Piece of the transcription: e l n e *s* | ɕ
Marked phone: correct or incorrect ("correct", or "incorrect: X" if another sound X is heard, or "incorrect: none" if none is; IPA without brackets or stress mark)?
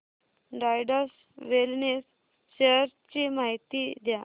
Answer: correct